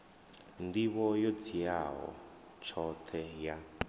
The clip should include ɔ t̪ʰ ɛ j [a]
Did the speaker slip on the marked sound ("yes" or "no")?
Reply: no